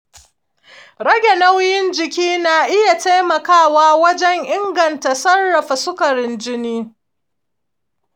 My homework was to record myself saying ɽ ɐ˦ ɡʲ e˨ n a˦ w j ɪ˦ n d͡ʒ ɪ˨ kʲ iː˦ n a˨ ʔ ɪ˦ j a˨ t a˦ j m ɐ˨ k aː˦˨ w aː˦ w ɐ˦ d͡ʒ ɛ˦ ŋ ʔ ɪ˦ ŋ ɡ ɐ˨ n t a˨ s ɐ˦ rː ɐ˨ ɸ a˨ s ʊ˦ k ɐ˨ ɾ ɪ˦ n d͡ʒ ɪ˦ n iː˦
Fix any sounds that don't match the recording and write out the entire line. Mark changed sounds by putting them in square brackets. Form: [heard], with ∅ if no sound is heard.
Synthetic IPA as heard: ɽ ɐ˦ ɡʲ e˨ n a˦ w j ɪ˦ n d͡ʒ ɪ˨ kʲ iː˦ n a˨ ʔ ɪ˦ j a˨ t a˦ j m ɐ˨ k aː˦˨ w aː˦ w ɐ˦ d͡ʒ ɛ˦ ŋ ʔ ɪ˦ ŋ ɡ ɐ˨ n t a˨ s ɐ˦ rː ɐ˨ ɸ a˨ s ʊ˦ k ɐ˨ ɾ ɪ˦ n d͡ʒ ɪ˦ n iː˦